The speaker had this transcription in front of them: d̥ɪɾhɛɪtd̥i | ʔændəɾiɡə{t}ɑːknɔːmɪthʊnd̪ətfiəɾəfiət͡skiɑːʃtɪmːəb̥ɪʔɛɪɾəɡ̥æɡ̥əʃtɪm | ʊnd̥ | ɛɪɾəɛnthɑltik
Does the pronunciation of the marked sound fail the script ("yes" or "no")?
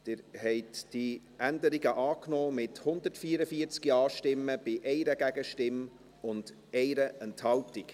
yes